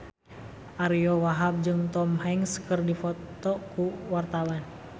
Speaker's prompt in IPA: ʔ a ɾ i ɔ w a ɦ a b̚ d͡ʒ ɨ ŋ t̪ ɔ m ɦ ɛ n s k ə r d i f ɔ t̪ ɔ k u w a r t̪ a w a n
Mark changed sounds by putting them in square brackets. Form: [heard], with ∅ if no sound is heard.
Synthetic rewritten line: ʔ a ɾ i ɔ w a ɦ a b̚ d͡ʒ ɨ ŋ t̪ ɔ m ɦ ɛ [ŋ] s k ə r d i f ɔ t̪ ɔ k u w a r t̪ a w a n